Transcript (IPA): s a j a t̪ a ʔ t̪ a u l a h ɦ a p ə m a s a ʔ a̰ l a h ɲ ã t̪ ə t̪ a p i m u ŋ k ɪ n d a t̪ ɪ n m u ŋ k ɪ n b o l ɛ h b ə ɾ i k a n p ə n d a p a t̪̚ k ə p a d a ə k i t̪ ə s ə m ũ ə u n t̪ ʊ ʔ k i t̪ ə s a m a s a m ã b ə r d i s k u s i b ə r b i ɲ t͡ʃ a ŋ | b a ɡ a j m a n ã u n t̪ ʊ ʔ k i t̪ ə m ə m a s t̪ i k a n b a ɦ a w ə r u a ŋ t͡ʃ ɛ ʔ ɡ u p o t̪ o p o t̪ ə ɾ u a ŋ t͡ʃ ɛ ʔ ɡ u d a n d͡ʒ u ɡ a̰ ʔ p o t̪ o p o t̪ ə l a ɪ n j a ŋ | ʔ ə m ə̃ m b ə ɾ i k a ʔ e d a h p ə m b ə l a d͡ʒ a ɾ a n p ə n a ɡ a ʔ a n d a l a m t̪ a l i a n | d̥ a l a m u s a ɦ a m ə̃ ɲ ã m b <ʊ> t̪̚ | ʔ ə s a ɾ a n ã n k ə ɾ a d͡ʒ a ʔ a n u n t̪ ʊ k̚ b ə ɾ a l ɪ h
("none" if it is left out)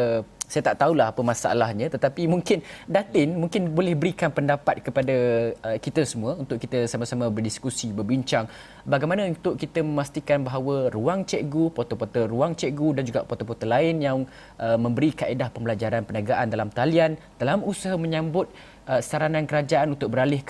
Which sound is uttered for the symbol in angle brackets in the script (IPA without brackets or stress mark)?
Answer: ʊ